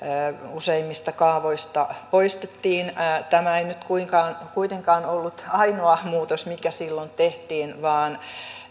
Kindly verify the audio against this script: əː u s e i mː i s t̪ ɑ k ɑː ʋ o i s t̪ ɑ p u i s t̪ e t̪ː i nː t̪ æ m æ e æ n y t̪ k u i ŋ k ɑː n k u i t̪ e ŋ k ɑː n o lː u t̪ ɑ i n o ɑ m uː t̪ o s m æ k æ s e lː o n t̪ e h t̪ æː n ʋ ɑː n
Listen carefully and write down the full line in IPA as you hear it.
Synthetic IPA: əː u s e i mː i s t̪ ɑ k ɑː ʋ o i s t̪ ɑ p o i s t̪ e t̪ː iː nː t̪ æ m æ e i n y t̪ k u i ŋ k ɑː n k u i t̪ e ŋ k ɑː n o lː u t̪ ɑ i n o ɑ m uː t̪ o s m i k æ s i lː o n t̪ e h t̪ iː n ʋ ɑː n